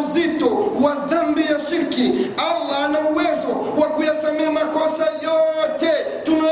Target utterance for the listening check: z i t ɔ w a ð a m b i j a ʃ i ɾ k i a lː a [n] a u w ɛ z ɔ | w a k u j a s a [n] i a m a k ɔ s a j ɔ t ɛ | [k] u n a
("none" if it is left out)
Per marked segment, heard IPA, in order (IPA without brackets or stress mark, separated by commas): n, m, t